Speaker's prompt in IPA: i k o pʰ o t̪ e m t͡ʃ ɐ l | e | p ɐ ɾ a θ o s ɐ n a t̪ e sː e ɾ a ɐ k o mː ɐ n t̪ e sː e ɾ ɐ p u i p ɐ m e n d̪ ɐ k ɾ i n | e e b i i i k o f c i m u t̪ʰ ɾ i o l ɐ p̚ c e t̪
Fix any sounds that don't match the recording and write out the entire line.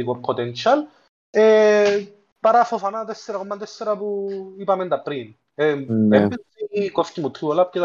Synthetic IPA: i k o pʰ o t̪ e n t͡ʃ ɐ l | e | p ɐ ɾ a f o f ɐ n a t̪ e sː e ɾ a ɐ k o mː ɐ n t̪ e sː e ɾ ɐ p u i p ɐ m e n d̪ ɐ p ɾ i n | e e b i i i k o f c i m u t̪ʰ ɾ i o l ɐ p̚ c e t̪